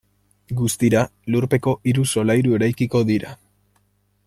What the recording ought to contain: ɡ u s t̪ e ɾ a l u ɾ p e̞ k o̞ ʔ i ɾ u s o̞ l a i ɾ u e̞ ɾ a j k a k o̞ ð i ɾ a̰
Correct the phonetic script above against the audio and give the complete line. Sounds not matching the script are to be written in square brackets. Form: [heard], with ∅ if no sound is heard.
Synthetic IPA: ɡ u s t̪ [i] ɾ a l u ɾ p e̞ k o̞ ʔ i ɾ u s o̞ l a [j] ɾ u e̞ ɾ a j k [i] k o̞ ð i ɾ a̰